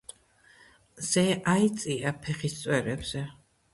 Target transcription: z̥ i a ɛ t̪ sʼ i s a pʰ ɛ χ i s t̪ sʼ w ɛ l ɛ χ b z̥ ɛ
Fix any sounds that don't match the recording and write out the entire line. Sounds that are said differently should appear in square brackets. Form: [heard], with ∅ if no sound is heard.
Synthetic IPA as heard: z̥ [ɛ] a [i] t̪ sʼ i [∅] a pʰ ɛ χ i s t̪ sʼ w ɛ [ɾ] ɛ [∅] b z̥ ɛ